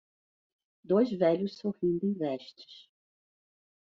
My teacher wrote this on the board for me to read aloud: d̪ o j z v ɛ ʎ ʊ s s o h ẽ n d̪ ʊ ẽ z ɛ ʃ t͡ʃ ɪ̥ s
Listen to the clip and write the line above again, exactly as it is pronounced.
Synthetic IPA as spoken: d̪ o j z v ɛ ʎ ʊ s s o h ĩ n d̪ ʊ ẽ v ɛ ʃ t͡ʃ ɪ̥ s